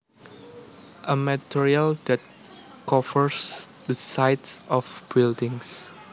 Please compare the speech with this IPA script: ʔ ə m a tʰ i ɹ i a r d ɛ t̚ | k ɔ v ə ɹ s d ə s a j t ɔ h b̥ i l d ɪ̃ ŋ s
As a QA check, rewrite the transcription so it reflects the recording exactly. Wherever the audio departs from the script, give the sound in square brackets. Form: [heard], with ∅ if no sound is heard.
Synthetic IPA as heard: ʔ ə m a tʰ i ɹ i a [l] d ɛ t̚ | k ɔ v ə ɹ s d ə s a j t ɔ [f] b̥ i l d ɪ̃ ŋ s